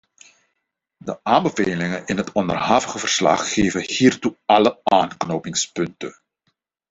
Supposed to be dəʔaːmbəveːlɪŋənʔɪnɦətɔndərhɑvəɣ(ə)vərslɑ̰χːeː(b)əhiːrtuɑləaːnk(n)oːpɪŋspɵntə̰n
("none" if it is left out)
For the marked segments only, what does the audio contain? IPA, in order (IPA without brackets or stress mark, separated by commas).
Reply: ə, v, n